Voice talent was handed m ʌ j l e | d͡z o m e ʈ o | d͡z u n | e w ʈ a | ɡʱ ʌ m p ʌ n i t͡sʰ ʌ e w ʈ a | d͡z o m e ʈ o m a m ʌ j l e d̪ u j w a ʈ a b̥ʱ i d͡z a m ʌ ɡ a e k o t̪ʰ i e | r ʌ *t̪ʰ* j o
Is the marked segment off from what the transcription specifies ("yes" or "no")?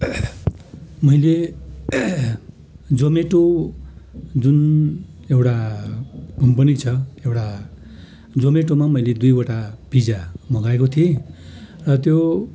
yes